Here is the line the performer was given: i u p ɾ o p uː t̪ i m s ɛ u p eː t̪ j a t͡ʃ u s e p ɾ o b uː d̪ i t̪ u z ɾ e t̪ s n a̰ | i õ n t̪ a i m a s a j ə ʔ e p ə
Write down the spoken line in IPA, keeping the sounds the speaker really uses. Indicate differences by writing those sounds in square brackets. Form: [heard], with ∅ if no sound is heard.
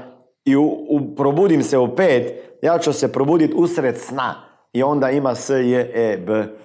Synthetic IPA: i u p ɾ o [b] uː [d̪] i m s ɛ u p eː t̪ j a t͡ʃ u s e p ɾ o b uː d̪ i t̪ u [s] ɾ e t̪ s n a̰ | i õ n [d̪] a i m a s [ə] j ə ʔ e [b] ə